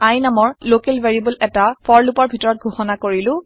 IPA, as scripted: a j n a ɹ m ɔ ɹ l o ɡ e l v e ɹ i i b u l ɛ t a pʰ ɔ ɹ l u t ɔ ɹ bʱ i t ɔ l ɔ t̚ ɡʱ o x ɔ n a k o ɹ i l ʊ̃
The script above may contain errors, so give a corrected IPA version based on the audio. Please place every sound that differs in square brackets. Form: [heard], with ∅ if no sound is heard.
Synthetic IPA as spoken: a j n a [∅] m ɔ ɹ l o [k] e l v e ɹ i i b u l ɛ t a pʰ ɔ ɹ l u [p] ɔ ɹ bʱ i t ɔ [ɹ] ɔ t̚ ɡʱ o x ɔ n a k o ɹ i l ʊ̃